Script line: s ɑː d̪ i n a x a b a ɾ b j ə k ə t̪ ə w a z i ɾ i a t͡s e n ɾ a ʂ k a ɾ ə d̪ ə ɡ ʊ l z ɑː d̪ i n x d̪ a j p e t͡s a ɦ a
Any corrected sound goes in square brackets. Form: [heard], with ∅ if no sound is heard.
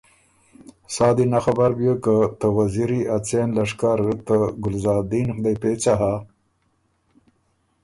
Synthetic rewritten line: s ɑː d̪ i n a x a b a ɾ b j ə k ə t̪ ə w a z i ɾ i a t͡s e n [l] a ʂ k a ɾ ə [t̪] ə ɡ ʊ l z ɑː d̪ i n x d̪ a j p e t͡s a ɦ a